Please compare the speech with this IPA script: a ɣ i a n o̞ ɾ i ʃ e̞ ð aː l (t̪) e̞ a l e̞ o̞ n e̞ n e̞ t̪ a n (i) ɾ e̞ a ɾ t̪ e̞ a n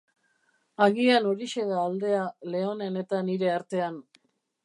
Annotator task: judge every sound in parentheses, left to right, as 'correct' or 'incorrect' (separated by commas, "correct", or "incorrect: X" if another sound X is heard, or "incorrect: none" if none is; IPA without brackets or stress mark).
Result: incorrect: d̪, correct